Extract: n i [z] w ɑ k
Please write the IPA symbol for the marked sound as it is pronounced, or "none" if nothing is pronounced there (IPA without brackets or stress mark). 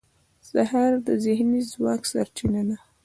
z